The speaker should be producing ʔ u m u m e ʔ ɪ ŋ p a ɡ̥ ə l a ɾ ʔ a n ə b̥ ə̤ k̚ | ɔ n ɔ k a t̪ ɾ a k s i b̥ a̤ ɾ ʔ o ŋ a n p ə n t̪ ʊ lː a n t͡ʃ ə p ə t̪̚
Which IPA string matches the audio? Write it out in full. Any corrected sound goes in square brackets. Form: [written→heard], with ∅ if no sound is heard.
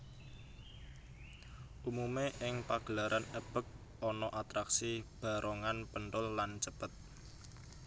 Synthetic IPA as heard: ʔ u m u m e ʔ ɪ ŋ p a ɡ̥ ə l a ɾ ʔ a n ə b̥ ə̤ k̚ | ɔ n ɔ [k→ʔ] a t̪ ɾ a k s i b̥ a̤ ɾ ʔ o ŋ a n p ə n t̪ ʊ lː a n t͡ʃ ə p ə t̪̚